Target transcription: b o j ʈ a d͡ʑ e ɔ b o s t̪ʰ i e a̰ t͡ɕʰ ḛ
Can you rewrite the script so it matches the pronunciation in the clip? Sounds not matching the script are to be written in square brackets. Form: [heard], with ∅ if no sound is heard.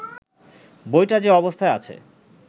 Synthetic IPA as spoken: b o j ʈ a d͡ʑ e ɔ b o s t̪ʰ [a] e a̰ t͡ɕʰ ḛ